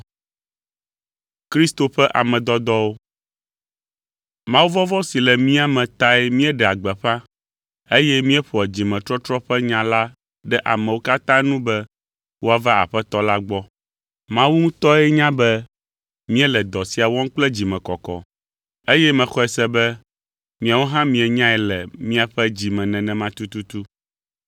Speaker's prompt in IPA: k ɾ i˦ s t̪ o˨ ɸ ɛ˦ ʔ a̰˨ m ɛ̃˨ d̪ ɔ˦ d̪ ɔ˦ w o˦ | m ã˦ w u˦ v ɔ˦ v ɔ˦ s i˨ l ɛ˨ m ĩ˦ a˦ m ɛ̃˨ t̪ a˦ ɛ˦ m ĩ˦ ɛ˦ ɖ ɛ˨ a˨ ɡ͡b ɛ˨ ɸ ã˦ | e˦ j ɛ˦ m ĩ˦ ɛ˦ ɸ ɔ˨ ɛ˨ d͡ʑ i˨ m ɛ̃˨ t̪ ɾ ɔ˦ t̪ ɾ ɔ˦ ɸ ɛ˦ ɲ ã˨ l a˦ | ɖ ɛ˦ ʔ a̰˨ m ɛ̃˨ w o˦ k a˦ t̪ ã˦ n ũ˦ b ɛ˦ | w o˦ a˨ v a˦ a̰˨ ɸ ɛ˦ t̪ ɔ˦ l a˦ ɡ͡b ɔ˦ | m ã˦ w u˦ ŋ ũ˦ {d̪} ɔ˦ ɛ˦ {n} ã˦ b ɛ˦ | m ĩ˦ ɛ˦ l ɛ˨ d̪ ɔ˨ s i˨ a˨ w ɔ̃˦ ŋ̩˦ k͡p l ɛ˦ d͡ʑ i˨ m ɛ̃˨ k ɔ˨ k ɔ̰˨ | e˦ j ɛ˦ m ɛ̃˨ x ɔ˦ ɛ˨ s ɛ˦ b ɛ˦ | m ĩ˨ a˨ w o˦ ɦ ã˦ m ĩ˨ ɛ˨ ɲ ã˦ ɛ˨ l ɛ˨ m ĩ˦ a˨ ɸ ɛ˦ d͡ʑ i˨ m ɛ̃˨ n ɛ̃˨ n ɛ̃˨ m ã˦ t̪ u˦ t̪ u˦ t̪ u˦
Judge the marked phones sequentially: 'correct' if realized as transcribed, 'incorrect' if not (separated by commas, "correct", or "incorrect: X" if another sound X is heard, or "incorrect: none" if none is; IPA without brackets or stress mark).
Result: incorrect: t̪, incorrect: ɲ